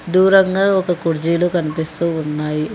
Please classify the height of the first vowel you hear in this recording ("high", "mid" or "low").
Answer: high